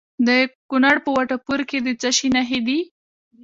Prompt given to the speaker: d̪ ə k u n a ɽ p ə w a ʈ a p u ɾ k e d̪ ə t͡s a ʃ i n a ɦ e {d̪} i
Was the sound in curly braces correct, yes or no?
yes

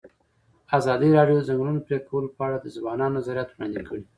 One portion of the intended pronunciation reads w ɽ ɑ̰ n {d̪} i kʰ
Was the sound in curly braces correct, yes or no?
yes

